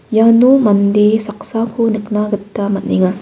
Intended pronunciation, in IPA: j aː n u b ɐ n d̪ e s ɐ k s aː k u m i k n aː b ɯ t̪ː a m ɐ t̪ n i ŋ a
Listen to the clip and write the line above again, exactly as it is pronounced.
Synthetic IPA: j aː n u m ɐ n d̪ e s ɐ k s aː k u n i k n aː ɡ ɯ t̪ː a m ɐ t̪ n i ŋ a

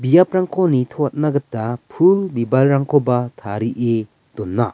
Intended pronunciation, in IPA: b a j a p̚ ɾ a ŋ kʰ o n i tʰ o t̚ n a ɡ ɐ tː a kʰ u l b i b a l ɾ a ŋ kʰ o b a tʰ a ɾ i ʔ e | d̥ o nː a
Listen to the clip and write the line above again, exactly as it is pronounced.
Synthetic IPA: b i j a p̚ ɾ a ŋ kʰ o n i tʰ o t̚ n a ɡ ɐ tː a pʰ u l b i b a l ɾ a ŋ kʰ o b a tʰ a ɾ i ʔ e | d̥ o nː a

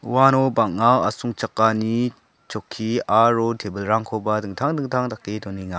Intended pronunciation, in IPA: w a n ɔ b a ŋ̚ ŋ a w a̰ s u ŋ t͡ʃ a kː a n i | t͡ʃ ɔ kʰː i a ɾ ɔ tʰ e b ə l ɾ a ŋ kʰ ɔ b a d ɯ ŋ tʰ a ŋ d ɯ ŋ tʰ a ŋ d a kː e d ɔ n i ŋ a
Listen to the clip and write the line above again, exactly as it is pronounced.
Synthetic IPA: w a n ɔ b a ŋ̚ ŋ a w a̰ s u ŋ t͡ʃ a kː a n i | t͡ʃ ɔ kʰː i a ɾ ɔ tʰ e b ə l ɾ a ŋ kʰ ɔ b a d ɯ ŋ tʰ a ŋ d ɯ ŋ tʰ a ŋ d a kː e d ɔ n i ŋ a

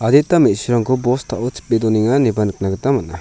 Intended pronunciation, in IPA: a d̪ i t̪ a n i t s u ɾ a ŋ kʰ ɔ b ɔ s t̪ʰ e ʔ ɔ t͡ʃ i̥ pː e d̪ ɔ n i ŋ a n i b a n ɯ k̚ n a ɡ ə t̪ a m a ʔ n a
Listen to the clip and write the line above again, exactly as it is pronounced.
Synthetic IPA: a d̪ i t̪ a m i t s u ɾ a ŋ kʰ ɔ b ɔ s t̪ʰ a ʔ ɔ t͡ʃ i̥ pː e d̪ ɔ n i ŋ a n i b a n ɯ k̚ n a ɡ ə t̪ a m a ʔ n a

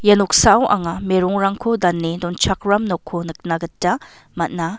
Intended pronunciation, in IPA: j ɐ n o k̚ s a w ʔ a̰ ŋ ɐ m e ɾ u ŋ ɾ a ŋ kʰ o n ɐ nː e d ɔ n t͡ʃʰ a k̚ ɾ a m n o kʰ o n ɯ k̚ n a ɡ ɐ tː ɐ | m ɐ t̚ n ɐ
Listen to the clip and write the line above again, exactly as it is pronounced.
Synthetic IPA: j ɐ n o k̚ s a w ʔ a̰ ŋ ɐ m e ɾ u ŋ ɾ a ŋ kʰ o d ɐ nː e d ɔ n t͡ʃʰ a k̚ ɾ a m n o kʰ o n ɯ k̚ n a ɡ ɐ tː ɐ | m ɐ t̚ n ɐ

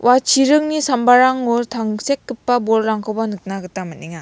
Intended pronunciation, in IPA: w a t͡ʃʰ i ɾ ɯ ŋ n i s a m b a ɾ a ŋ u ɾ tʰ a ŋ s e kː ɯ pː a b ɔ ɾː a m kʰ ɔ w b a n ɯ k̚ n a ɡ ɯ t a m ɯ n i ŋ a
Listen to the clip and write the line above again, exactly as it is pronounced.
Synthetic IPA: w a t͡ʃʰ i ɾ ɯ ŋ n i s a m b a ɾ a ŋ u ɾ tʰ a ŋ s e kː ɯ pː a b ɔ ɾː a ŋ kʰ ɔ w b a n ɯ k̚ n a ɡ ɯ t a m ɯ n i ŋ a

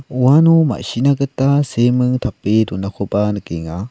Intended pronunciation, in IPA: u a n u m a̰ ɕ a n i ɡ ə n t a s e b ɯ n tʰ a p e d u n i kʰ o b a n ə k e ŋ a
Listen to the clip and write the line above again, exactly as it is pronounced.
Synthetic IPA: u a n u m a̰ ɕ i n a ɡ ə t a s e m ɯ ŋ tʰ a p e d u n a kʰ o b a n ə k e ŋ a

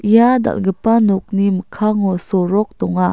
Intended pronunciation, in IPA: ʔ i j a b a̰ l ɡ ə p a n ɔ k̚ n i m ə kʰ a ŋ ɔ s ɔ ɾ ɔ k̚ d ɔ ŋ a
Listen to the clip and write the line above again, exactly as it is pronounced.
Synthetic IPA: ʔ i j a d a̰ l ɡ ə p a n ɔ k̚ n i m ə kʰ a ŋ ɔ s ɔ ɾ ɔ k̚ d ɔ ŋ a

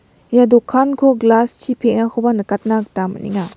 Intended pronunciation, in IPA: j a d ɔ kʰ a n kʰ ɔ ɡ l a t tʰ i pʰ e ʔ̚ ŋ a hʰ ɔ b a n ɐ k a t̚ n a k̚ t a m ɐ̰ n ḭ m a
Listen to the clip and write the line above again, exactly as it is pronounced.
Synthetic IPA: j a d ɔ kʰ a n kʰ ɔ ɡ l a s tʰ i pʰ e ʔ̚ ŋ a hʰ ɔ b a n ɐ k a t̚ n a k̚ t a m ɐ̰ n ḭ ŋ a

